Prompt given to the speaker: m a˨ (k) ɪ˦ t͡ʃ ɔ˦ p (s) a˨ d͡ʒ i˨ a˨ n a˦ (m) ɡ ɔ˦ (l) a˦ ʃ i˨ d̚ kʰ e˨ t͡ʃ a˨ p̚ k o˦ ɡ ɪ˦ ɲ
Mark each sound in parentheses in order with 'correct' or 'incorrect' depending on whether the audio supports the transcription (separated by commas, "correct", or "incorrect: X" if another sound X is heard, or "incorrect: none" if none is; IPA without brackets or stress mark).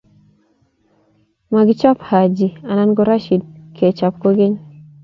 incorrect: ɡ, incorrect: h, incorrect: n, incorrect: ɾ